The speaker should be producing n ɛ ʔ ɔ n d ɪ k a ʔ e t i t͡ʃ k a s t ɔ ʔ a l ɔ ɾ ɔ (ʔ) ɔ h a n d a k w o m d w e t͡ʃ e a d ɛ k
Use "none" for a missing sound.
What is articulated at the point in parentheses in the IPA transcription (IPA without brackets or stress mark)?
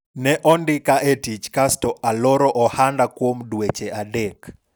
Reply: ʔ